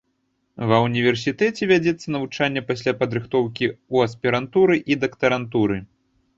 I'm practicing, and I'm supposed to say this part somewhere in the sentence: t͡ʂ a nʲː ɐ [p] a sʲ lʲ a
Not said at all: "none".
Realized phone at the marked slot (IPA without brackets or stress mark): p